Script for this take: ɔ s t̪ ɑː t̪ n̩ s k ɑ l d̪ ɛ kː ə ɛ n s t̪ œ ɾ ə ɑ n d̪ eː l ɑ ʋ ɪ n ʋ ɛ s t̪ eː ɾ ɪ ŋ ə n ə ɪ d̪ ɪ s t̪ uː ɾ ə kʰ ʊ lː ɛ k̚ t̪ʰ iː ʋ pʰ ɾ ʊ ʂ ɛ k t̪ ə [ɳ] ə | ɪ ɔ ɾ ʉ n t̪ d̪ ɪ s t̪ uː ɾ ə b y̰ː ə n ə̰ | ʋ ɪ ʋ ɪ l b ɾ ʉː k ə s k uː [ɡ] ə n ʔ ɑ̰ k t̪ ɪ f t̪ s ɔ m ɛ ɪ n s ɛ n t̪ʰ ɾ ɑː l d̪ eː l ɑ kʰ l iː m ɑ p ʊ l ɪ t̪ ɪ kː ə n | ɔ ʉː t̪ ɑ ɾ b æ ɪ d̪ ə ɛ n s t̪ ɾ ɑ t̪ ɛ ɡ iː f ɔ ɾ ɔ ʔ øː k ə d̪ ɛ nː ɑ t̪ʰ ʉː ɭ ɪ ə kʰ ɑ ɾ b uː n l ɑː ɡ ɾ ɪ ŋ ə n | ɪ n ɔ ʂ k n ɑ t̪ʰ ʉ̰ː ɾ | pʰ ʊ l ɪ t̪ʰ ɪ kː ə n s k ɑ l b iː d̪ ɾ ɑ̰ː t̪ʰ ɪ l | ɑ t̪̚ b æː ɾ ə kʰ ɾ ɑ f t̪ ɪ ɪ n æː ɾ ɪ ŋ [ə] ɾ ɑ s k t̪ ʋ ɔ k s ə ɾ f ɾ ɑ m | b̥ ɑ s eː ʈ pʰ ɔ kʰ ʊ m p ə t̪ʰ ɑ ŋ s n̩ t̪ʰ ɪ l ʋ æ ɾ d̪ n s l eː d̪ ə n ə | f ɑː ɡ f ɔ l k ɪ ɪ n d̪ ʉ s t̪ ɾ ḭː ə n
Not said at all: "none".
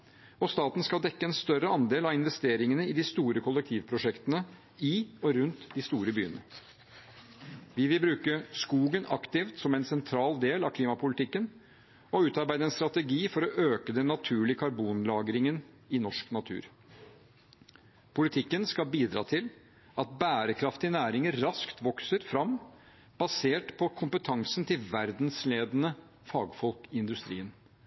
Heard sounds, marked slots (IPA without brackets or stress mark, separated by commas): n, ɡ, ə